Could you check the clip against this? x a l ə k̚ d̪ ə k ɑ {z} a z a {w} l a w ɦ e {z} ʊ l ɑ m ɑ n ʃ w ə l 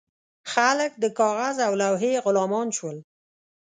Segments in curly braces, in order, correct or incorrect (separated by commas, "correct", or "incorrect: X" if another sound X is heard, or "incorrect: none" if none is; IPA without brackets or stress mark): incorrect: ɣ, correct, incorrect: ɣ